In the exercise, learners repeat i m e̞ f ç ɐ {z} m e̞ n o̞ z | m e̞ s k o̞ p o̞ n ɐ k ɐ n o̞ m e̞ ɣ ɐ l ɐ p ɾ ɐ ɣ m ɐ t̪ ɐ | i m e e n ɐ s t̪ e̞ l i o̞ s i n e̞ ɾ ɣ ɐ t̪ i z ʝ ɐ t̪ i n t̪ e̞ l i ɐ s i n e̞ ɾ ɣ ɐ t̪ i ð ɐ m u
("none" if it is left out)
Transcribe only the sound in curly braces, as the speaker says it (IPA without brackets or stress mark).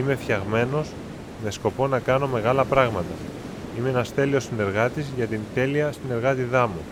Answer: ɣ